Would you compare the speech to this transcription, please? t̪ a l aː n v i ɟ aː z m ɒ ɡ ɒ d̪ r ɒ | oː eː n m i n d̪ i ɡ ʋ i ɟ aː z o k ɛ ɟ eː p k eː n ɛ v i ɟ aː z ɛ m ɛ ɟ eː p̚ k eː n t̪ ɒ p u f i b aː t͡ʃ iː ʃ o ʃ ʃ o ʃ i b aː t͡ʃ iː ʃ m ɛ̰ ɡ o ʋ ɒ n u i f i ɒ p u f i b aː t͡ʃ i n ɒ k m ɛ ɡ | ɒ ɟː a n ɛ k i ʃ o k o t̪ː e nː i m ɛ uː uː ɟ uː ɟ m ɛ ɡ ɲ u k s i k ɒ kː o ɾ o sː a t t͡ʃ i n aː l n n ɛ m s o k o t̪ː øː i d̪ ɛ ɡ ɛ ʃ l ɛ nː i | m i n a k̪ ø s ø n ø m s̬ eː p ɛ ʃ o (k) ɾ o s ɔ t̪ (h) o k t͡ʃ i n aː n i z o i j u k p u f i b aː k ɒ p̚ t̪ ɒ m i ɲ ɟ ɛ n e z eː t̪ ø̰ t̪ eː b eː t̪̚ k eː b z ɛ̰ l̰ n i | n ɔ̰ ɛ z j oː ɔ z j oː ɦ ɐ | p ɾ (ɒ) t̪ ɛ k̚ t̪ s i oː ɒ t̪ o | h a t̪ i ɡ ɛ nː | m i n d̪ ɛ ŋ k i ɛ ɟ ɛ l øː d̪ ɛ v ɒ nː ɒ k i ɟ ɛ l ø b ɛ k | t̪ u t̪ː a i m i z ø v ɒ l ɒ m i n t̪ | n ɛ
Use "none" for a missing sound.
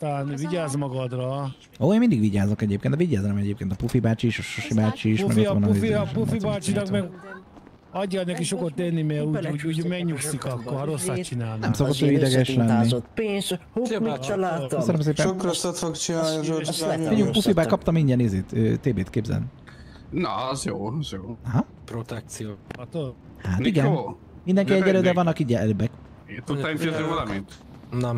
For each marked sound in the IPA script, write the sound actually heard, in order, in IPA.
k, f, o

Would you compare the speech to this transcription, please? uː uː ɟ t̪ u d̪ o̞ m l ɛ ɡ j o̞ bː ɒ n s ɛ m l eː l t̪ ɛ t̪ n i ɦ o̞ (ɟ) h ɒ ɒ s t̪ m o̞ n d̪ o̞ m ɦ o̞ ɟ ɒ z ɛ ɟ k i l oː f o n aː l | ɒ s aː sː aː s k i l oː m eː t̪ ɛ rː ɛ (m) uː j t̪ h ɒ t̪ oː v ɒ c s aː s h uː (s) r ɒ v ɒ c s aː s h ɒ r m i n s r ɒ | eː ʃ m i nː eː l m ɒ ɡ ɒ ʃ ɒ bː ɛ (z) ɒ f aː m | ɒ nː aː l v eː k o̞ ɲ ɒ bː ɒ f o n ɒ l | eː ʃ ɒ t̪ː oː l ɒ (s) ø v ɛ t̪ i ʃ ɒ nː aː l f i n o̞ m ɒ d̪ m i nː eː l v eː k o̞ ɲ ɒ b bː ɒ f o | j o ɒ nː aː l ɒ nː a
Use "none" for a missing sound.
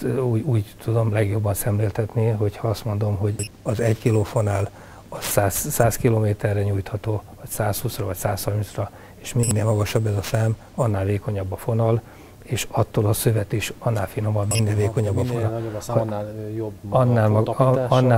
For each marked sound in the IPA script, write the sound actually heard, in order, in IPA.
c, ɲ, s, z, s

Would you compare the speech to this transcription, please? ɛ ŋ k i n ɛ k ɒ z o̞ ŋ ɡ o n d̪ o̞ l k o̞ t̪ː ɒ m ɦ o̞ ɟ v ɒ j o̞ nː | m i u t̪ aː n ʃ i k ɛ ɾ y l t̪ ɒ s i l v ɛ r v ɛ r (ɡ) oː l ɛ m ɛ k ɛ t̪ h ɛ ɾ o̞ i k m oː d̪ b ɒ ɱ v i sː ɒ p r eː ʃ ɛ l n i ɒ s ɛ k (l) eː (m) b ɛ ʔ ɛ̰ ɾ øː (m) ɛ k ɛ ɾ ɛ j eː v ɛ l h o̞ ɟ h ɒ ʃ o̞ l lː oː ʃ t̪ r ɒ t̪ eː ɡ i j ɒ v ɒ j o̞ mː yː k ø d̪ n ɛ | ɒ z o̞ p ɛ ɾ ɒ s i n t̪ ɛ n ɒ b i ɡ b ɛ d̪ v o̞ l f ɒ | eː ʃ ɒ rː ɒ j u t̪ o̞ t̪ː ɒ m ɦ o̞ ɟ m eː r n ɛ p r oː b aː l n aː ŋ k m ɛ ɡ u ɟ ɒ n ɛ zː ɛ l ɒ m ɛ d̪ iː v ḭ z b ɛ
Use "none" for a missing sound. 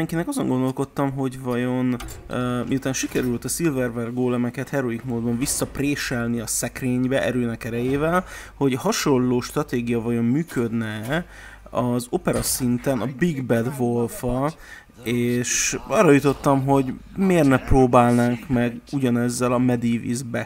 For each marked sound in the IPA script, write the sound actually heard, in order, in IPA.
ɡ, r, ɲ, n

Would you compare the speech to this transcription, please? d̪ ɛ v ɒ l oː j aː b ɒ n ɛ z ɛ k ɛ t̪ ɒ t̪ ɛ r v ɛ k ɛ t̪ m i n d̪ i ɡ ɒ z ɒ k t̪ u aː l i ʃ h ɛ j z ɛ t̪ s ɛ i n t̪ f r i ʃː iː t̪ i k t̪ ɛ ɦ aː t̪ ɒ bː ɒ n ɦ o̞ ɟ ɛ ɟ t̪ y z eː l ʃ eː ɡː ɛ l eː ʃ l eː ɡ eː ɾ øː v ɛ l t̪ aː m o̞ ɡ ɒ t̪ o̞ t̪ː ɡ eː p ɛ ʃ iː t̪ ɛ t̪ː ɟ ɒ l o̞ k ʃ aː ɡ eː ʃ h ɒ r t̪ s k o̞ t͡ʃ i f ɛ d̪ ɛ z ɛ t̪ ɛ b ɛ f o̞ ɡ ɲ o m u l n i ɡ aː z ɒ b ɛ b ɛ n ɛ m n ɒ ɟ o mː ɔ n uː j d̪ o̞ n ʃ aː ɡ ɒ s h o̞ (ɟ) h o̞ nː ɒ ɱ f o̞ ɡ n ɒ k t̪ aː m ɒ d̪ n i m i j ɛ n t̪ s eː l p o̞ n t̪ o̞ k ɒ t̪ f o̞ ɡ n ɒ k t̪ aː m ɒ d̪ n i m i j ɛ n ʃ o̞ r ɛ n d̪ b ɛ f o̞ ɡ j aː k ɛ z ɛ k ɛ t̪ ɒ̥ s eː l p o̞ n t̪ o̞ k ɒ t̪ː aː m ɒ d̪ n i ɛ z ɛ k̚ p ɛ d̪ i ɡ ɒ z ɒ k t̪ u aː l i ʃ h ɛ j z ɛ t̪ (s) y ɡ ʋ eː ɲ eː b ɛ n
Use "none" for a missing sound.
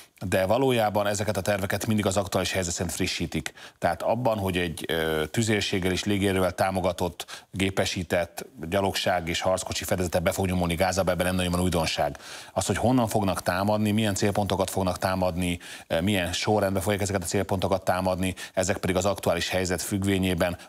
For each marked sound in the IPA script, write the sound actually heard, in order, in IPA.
c, f

